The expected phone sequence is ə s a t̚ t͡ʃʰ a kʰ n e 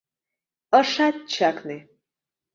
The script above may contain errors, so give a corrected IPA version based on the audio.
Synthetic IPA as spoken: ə ʂ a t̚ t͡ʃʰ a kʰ n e